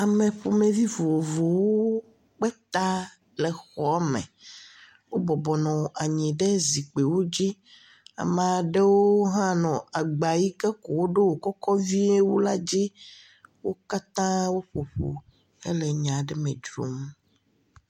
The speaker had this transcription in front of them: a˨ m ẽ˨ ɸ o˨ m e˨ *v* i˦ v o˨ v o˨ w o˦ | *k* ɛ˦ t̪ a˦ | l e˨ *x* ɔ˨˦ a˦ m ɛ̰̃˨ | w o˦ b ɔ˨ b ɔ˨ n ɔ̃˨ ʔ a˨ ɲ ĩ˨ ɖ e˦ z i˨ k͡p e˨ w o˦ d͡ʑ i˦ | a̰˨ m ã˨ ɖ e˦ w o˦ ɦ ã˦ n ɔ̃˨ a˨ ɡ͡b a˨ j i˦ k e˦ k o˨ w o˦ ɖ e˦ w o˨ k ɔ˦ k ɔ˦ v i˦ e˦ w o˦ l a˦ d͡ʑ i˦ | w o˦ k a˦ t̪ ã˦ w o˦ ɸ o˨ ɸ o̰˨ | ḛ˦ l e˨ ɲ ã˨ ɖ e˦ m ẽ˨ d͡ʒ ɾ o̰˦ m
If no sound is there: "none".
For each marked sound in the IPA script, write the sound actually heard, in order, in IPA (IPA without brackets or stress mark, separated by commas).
v, k͡p, x